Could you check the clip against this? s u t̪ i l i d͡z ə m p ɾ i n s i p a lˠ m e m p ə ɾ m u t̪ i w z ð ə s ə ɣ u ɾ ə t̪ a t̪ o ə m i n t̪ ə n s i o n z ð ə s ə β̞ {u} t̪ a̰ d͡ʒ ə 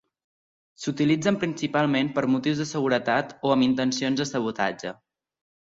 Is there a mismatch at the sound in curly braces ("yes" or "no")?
no